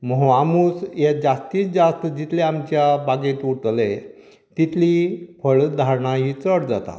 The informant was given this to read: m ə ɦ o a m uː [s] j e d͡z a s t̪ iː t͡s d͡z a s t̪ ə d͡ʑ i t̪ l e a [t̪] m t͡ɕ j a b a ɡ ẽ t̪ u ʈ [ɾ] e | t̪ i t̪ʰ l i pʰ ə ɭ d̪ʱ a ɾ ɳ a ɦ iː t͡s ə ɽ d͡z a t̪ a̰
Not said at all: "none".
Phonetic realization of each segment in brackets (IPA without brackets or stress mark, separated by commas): s, none, l